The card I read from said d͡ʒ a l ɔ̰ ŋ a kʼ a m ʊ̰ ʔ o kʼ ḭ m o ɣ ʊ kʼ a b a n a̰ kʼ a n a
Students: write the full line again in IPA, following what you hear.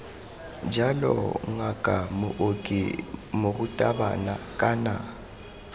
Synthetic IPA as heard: d͡ʒ a l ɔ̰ ŋ a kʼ a m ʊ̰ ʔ o kʼ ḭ m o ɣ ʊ tʼ a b a n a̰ kʼ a n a

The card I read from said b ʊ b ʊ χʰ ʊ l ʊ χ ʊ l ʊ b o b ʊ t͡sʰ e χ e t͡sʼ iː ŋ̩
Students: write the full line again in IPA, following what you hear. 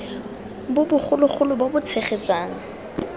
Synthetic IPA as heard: b ʊ b ʊ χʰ ʊ l ʊ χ ʊ l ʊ b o b ʊ t͡sʰ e χ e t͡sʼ aː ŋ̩

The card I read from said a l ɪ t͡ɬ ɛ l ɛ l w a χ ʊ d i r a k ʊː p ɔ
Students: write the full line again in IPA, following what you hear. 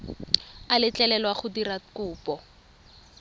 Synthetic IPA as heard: a l ɪ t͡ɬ ɛ l ɛ l w a χ ʊ d i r a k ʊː p ɔ

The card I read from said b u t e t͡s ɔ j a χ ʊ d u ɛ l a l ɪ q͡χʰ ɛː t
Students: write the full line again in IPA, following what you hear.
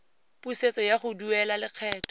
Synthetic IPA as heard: p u s e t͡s ɔ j a χ ʊ d u ɛ l a l ɪ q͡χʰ ɛː t

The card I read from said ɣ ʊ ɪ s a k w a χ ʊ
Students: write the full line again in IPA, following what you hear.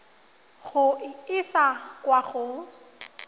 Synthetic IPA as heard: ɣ ʊ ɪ s a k w a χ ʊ

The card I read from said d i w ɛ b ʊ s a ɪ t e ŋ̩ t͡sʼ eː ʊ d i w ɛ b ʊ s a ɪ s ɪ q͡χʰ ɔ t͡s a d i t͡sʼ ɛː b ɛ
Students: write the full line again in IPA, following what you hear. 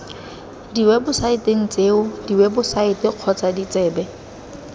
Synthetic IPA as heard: d i w ɛ b ʊ s a ɪ t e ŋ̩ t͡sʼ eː ʊ d i w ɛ b ʊ s a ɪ t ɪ q͡χʰ ɔ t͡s a d i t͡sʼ ɛː b ɛ

